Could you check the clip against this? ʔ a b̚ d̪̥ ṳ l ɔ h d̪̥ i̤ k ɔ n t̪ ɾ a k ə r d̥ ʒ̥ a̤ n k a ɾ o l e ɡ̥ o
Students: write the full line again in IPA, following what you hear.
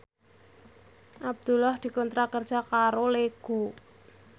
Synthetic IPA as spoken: ʔ a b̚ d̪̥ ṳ l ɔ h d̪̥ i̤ k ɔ n t̪ ɾ a k ə r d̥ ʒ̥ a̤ k a ɾ o l e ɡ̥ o